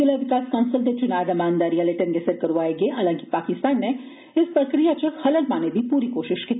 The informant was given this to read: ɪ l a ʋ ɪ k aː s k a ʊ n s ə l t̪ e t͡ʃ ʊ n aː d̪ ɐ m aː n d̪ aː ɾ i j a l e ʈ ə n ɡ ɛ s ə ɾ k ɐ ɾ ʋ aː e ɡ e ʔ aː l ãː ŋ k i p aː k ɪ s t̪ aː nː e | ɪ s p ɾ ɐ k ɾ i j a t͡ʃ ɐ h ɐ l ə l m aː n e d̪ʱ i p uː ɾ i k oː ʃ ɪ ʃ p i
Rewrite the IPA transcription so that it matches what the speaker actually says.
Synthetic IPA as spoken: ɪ l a ʋ ɪ k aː s k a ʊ n s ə l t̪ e t͡ʃ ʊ n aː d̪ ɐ m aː n d̪ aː ɾ i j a l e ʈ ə n ɡ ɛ s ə ɾ k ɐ ɾ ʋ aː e ɡ e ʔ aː l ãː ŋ k i p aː k ɪ s t̪ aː nː e | ɪ s p ɾ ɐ k ɾ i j a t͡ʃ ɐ h ɐ l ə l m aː n e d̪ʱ i p uː ɾ i k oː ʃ ɪ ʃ k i

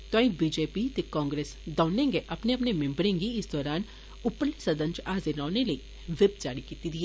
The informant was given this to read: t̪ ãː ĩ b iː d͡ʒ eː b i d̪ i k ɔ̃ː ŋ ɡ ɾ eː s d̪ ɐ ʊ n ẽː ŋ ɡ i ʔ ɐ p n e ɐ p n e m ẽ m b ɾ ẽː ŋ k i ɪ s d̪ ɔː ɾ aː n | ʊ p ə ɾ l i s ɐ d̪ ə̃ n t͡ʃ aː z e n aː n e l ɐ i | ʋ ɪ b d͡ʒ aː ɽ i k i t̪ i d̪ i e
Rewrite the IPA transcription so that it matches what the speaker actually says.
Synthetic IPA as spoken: t̪ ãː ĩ b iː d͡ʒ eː p i t̪ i k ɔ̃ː ŋ ɡ ɾ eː s d̪ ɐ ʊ n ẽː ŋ ɡ e ʔ ɐ p n e ɐ p n e m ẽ m b ɾ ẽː ŋ ɡ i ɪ s d̪ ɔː ɾ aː n | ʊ p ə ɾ l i s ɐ d̪ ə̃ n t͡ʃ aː z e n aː n e l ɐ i | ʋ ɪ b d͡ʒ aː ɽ i k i t̪ i d̪ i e

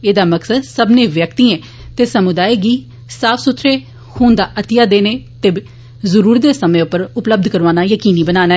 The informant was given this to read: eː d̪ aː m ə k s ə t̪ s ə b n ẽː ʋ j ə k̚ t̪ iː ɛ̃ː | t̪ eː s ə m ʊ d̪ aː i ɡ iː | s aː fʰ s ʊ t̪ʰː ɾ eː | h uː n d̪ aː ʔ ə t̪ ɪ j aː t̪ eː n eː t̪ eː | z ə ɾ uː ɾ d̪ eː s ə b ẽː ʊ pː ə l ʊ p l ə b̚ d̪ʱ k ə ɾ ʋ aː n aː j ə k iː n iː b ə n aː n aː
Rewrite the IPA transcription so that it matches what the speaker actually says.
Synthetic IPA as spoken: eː d̪ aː m ə k s ə d̪ s ə b n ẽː ʋ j ə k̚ t̪ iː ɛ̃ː | t̪ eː s ə m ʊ d̪ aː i ɡ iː | s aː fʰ s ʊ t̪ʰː ɾ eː | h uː n d̪ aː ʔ ə t̪ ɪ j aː d̪ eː n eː t̪ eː | z ə ɾ uː ɾ d̪ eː s ə m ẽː ʊ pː ə ɾ ʊ p l ə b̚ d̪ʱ k ə ɾ ʋ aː n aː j ə k iː n iː b ə n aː n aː

